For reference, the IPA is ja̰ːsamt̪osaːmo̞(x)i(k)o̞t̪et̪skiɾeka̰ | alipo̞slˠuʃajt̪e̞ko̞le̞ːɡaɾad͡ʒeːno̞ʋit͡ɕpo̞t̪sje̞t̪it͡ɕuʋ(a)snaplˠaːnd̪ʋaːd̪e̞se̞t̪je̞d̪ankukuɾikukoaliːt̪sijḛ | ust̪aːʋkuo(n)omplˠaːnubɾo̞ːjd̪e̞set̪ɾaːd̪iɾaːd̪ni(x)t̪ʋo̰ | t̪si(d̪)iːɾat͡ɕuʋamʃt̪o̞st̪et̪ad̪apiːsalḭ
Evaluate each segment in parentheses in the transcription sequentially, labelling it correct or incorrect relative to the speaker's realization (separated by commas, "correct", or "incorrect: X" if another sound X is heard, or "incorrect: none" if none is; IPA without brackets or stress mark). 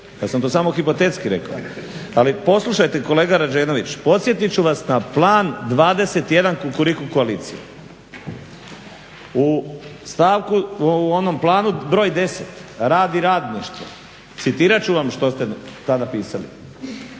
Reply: correct, incorrect: p, correct, correct, incorrect: ʃ, incorrect: t̪